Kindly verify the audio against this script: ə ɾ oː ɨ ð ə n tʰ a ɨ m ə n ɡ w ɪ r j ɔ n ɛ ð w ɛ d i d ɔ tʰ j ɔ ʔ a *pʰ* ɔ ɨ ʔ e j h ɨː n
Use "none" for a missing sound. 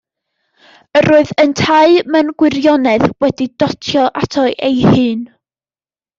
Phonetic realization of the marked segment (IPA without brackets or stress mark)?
tʰ